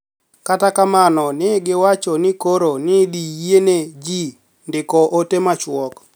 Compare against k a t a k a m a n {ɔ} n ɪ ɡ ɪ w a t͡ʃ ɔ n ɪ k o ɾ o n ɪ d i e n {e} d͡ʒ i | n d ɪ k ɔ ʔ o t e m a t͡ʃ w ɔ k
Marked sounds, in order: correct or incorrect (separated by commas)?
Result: correct, correct